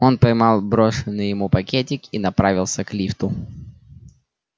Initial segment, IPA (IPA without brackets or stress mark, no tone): o̞